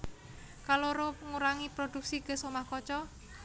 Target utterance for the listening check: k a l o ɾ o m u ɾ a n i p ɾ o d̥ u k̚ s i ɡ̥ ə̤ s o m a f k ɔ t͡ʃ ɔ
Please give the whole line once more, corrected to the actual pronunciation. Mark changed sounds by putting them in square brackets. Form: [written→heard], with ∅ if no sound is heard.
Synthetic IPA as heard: k a l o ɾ o [m→ŋ] u ɾ a [n→ŋ] i p ɾ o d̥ u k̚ s i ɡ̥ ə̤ s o m a [f→h] k ɔ t͡ʃ ɔ

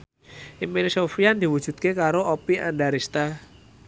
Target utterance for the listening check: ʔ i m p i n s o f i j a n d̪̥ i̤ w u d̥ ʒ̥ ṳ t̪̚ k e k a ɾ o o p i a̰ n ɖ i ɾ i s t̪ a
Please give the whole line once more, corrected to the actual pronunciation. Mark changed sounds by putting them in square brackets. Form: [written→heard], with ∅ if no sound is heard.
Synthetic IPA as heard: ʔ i m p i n s o f i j a n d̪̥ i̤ w u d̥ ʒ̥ ṳ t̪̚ k e k a ɾ o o p i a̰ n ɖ [i→a] ɾ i s t̪ a

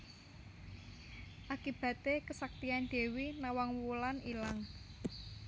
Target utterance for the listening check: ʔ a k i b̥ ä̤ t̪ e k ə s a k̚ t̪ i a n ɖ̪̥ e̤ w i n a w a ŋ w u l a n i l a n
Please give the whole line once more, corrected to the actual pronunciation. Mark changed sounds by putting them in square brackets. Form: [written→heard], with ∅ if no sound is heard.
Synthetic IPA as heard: ʔ a k i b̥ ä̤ t̪ e k ə s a k̚ t̪ i a n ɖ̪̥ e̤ w i n a w a ŋ w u l a n i l a [n→ŋ]

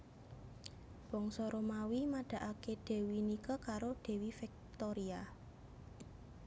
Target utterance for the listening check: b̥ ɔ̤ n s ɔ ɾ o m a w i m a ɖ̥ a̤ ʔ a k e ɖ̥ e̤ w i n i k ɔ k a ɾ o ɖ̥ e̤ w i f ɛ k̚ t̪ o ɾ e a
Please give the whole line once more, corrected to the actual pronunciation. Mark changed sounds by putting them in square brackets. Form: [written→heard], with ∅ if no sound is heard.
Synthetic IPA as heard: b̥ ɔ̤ [n→ŋ] s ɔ ɾ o m a w i m a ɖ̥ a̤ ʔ a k e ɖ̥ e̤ w i n i k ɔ k a ɾ o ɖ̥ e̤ w i f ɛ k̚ t̪ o ɾ [e→i] a

